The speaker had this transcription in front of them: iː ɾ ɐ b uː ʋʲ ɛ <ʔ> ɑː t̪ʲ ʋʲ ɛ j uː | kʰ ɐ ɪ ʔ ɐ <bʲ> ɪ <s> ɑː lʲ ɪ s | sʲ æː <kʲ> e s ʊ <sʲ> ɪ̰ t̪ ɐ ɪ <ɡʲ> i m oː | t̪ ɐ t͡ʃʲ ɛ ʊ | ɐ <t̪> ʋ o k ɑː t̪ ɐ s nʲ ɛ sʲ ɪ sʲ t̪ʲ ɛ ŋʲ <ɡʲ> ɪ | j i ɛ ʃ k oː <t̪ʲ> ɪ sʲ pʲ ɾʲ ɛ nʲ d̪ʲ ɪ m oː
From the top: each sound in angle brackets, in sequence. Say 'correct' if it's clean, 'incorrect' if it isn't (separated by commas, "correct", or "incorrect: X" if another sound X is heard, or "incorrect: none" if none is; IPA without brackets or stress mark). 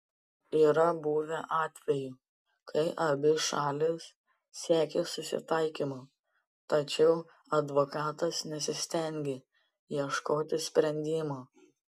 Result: correct, correct, incorrect: ʃ, correct, correct, incorrect: kʲ, incorrect: d̪, correct, correct